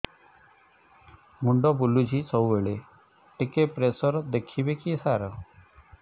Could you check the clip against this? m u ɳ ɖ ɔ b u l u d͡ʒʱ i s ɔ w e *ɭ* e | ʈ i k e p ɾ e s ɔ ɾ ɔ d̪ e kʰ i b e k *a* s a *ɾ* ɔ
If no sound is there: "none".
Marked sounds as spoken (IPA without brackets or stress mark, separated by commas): ɭ, i, ɾ